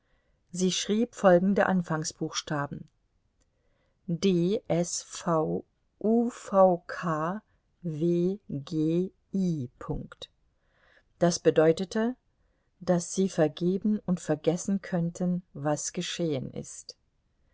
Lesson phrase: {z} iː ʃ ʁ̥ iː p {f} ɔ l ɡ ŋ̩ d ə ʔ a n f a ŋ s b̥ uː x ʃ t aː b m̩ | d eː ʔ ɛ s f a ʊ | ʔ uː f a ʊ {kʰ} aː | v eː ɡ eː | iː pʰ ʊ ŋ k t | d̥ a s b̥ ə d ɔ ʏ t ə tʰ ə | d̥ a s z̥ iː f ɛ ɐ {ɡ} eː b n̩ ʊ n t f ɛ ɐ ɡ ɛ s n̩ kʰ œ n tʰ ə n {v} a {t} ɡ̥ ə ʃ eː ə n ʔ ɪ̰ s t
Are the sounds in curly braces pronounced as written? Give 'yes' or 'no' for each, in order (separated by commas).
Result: yes, yes, yes, yes, yes, no